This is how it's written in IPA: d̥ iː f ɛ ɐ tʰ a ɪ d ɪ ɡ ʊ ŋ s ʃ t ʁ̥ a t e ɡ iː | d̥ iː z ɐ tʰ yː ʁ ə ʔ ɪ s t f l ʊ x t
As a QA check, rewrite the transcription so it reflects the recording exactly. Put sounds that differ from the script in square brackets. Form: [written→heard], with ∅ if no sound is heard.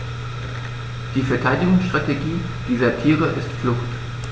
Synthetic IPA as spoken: d̥ iː f ɛ ɐ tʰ a ɪ d ɪ ɡ ʊ ŋ s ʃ t ʁ̥ a t e ɡ iː | d̥ iː z ɐ tʰ [yː→iː] ʁ ə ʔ ɪ s t f l ʊ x t